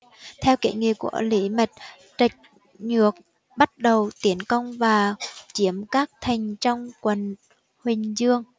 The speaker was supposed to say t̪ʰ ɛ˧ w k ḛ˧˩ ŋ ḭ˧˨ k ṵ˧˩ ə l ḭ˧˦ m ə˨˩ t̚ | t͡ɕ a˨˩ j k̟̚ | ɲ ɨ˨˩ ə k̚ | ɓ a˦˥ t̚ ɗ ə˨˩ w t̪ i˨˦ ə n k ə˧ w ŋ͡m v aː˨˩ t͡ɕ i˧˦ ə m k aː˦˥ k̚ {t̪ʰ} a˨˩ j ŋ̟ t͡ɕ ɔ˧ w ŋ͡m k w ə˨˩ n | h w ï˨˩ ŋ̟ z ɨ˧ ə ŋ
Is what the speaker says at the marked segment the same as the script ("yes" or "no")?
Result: yes